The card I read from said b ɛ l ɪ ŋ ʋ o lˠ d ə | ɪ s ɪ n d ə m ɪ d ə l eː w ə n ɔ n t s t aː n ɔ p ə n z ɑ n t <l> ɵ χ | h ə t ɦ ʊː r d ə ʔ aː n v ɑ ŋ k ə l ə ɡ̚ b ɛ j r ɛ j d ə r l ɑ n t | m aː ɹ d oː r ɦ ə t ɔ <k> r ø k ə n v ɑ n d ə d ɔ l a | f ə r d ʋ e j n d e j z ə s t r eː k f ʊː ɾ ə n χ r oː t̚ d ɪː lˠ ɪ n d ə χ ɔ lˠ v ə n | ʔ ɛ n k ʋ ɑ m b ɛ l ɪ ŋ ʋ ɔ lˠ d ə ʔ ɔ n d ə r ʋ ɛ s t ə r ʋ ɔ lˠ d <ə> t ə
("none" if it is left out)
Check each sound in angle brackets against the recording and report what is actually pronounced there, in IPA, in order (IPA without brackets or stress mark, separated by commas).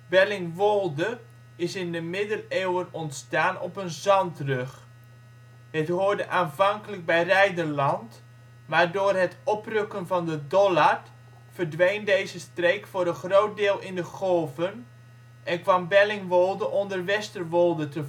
r, p, ə